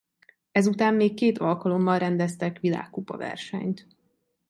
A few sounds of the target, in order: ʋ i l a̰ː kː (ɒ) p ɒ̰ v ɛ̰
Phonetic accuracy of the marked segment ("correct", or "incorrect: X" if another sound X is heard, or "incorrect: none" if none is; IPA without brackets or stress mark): incorrect: u